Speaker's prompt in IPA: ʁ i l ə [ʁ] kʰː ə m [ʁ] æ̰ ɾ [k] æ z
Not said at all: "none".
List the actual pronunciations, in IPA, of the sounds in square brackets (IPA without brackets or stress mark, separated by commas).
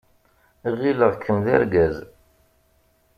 ʁ, ð, ɡ